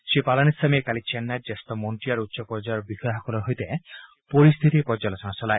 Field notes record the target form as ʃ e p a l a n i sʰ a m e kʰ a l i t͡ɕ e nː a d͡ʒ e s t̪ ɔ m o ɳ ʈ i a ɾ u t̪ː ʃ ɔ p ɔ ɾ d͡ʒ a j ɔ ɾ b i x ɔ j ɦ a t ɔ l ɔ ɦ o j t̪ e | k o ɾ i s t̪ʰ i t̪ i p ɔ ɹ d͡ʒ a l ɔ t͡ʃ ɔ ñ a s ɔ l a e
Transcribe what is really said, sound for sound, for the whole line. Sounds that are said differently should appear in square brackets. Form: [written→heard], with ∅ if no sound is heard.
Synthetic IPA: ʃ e p a l a n i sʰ a m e [kʰ→k] a l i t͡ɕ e nː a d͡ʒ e s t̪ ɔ m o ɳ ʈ i a ɾ u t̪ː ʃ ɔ p ɔ ɾ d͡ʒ a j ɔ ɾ b i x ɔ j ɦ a [t→k] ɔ l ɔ ɦ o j t̪ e | [k→p] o ɾ i s t̪ʰ i t̪ i p ɔ [ɹ→ɾ] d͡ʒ a l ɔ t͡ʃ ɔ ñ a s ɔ l a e

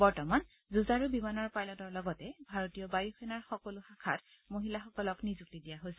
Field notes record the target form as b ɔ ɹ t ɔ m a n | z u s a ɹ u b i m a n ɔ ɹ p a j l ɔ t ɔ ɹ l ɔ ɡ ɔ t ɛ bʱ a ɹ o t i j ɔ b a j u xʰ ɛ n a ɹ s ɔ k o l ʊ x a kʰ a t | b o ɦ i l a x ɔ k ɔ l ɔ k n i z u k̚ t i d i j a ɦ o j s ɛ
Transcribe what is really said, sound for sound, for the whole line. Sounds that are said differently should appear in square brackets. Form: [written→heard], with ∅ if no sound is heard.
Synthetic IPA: b ɔ ɹ t ɔ m a n | z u [s→z] a ɹ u b i m a n ɔ ɹ p a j l ɔ t ɔ ɹ l ɔ ɡ ɔ t ɛ bʱ a ɹ o t i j ɔ b a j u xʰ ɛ n a ɹ [s→x] ɔ k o l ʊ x a kʰ a t | [b→m] o ɦ i l a x ɔ k ɔ l ɔ k n i z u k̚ t i d i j a ɦ o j s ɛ

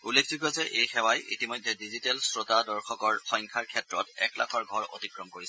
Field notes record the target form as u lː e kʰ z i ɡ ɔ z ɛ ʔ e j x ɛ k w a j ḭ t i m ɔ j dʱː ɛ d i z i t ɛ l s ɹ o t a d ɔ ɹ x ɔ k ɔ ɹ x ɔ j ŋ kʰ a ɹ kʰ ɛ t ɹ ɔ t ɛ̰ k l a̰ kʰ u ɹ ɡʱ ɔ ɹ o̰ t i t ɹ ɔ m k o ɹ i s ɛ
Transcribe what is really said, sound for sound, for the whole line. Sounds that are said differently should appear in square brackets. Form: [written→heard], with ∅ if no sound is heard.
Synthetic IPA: u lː e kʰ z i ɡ ɔ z ɛ ʔ e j x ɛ [k→∅] w a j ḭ t i m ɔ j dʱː ɛ d i z i t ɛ l s ɹ o t a d ɔ ɹ x ɔ k ɔ ɹ x ɔ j ŋ kʰ a ɹ kʰ ɛ t ɹ ɔ t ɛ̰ k l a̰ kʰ [u→ɔ] ɹ ɡʱ ɔ ɹ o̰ t i [t→k] ɹ ɔ m k o ɹ i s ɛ

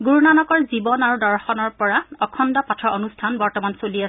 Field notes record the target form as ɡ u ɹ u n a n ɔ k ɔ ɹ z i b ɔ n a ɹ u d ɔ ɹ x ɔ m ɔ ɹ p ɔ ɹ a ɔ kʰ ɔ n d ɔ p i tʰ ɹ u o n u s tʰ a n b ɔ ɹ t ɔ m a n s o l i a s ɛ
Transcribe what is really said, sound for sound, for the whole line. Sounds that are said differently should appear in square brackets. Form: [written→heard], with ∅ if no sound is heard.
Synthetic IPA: ɡ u ɹ u n a n ɔ k ɔ ɹ z i b ɔ n a ɹ u d ɔ ɹ x ɔ [m→n] ɔ ɹ p ɔ ɹ a ɔ kʰ ɔ n d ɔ p [i→a] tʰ ɹ [u→ɔ] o n u s tʰ a n b ɔ ɹ t ɔ m a n s o l i a s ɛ

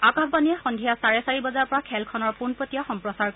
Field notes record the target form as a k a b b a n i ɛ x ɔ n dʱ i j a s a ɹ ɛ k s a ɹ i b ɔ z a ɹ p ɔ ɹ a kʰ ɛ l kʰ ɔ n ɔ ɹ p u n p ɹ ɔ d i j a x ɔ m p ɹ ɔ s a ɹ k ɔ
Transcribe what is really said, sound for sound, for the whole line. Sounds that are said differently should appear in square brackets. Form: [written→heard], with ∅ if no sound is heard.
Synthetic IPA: a k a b b a n i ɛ x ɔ n dʱ i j a s a ɹ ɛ [k→∅] s a ɹ i b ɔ z a ɹ p ɔ ɹ a kʰ ɛ l kʰ ɔ n ɔ ɹ p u n p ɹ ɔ [d→t] i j a x ɔ m p ɹ ɔ s a ɹ k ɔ

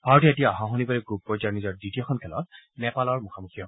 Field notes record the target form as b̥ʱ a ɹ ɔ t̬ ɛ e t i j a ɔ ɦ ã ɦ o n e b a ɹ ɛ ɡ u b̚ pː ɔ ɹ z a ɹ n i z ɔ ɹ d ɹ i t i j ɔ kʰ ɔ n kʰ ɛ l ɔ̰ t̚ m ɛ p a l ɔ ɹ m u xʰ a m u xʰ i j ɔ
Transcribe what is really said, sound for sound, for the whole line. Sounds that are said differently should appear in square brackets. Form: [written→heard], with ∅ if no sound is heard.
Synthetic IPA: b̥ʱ a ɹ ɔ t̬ [ɛ→i] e t i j a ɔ ɦ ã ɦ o n [e→i] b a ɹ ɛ ɡ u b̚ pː ɔ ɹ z a ɹ n i z ɔ ɹ d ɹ i t i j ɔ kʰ ɔ n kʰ ɛ l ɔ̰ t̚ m ɛ p a l ɔ ɹ m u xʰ a m u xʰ i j ɔ

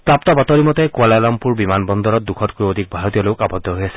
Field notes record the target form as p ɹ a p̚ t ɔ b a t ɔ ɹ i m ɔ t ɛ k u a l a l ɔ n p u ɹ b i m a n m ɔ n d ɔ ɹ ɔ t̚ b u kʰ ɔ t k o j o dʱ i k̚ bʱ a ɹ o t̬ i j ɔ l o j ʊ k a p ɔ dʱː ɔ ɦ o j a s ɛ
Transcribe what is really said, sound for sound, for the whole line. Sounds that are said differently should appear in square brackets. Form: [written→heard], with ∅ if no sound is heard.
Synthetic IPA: p ɹ a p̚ t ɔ b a t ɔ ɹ i m ɔ t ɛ k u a l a l ɔ [n→m] p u ɹ b i m a n [m→b] ɔ n d ɔ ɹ ɔ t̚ [b→d] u kʰ ɔ t k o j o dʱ i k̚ bʱ a ɹ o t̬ i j ɔ l o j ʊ k a [p→b] ɔ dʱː ɔ ɦ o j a s ɛ

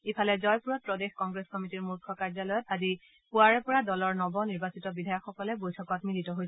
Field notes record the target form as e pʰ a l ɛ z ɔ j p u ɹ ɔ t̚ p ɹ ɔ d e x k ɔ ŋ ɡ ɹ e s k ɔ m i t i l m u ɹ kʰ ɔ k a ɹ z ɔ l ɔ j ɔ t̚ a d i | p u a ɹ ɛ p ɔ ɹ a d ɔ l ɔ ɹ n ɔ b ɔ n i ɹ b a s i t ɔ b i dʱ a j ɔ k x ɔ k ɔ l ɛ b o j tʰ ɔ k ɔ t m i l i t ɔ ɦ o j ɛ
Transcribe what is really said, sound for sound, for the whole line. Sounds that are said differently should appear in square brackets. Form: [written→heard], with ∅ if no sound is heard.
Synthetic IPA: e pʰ a l ɛ z ɔ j p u ɹ ɔ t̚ p ɹ ɔ d e x k ɔ ŋ ɡ ɹ e s k ɔ m i t i [l→ɹ] m u ɹ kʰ ɔ k a ɹ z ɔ l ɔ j ɔ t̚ a d i | p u a ɹ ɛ p ɔ ɹ a d ɔ l ɔ ɹ n ɔ b ɔ n i ɹ b a s i t ɔ b i dʱ a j ɔ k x ɔ k ɔ l ɛ b o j tʰ ɔ k ɔ t m i l i t ɔ ɦ o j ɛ

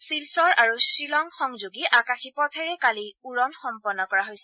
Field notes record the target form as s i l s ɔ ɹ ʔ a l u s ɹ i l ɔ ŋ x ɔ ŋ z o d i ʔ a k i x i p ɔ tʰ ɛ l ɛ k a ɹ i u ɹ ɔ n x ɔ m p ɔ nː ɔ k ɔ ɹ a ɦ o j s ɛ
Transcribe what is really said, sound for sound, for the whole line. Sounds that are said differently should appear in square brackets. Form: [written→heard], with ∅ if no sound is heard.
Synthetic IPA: s i l s ɔ ɹ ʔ a [l→ɹ] u s ɹ i l ɔ ŋ x ɔ ŋ z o [d→ɡ] i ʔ a k [i→a] x i p ɔ tʰ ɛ [l→ɹ] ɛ k a [ɹ→l] i u ɹ ɔ n x ɔ m p ɔ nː ɔ k ɔ ɹ a ɦ o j s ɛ

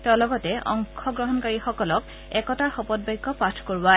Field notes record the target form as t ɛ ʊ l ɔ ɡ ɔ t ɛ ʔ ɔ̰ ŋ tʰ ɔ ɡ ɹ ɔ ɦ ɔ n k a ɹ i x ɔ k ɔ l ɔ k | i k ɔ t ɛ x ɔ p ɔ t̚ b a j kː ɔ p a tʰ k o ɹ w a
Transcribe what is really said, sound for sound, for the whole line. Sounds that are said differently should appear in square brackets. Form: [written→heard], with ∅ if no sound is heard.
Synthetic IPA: t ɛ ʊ l ɔ ɡ ɔ t ɛ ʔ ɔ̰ ŋ [tʰ→kʰ] ɔ ɡ ɹ ɔ ɦ ɔ n k a ɹ i x ɔ k ɔ l ɔ k | [i→ɛ] k ɔ t [ɛ→a] x ɔ p ɔ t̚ b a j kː ɔ p a tʰ k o ɹ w a

